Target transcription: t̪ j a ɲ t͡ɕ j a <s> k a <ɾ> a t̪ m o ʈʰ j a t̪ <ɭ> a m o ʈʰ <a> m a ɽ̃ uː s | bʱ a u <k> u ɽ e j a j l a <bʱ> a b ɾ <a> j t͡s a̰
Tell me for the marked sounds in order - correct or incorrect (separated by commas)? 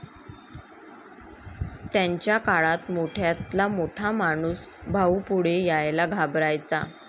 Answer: incorrect, incorrect, incorrect, correct, incorrect, incorrect, correct